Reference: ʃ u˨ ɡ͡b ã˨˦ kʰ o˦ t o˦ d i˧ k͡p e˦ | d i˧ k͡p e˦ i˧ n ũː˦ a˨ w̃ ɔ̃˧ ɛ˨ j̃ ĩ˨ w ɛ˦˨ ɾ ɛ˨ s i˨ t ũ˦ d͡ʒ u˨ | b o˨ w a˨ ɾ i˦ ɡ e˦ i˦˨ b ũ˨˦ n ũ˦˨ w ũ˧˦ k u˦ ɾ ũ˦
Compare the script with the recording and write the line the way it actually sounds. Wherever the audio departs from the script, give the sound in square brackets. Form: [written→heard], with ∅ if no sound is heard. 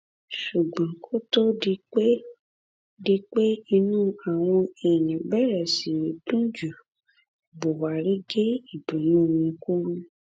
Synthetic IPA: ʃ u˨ ɡ͡b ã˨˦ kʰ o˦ t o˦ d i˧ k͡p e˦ | d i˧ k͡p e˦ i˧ n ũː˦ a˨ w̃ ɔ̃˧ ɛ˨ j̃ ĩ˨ [w→b] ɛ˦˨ ɾ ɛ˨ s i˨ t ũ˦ d͡ʒ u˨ | b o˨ w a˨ ɾ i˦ ɡ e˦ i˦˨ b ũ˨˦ n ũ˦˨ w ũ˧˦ k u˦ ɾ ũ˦